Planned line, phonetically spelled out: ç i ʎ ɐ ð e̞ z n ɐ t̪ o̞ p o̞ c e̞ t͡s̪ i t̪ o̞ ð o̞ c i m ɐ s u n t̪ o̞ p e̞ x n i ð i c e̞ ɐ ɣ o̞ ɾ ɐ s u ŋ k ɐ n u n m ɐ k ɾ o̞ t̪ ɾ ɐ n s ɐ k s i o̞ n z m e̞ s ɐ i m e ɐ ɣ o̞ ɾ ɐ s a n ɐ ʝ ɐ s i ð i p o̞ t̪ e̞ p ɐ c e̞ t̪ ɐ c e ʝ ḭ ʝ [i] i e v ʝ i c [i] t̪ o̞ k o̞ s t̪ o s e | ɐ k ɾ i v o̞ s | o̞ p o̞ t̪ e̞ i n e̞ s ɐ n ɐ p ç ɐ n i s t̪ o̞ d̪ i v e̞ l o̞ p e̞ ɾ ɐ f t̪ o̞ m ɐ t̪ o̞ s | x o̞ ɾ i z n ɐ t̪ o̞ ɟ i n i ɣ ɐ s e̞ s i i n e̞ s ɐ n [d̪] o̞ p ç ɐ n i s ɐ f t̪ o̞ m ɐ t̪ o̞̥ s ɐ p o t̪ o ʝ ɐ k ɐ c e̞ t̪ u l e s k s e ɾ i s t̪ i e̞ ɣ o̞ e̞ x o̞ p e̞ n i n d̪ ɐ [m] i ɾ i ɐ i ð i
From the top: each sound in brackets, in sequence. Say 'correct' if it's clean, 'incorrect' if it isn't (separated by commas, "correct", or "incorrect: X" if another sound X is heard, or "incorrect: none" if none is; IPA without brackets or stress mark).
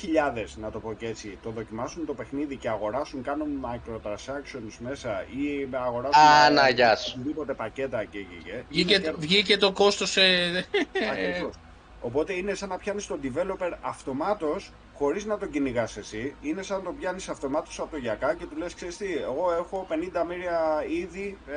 incorrect: e, incorrect: e, incorrect: t̪, correct